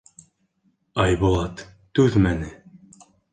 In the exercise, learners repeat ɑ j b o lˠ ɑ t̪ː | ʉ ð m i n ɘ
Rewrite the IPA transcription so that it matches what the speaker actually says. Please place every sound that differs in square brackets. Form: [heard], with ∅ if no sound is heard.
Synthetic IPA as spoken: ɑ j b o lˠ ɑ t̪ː | ʉ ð m [æ] n ɘ

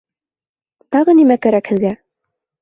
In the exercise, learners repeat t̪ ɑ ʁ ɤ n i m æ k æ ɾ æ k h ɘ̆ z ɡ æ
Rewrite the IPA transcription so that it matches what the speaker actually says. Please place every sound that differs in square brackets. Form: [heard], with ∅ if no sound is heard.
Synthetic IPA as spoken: t̪ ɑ ʁ ɤ n i m æ k æ ɾ æ k h ɘ̆ [ð] ɡ æ

